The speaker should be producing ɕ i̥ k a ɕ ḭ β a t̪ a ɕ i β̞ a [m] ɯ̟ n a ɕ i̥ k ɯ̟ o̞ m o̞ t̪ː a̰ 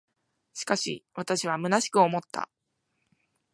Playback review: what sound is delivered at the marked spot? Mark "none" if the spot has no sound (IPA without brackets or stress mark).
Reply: m